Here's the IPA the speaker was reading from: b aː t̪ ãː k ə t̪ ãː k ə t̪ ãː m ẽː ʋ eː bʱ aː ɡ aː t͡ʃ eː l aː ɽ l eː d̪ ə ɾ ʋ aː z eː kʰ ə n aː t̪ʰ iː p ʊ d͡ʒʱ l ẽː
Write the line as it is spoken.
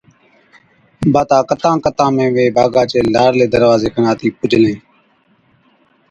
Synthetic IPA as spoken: b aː t̪ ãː k ə t̪ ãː k ə t̪ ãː m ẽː ʋ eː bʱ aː ɡ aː t͡ʃ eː l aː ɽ l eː d̪ ə ɾ ʋ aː z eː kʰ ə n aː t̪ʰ iː p ʊ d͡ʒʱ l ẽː